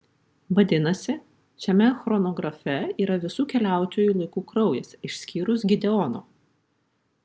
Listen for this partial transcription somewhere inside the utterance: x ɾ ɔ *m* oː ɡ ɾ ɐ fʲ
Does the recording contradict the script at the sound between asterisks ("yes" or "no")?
yes